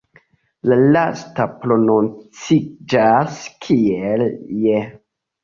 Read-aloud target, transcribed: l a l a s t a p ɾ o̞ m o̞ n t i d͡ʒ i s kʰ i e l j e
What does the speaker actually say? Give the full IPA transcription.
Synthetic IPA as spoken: l a l a s t a p ɾ o̞ n o̞ n t͡s i d͡ʒ a s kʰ i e l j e